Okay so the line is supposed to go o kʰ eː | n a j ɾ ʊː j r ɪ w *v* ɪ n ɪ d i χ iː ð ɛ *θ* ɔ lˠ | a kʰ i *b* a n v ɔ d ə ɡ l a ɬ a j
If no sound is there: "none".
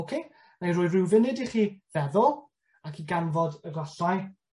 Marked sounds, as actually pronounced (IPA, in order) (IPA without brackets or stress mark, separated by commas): v, ð, ɡ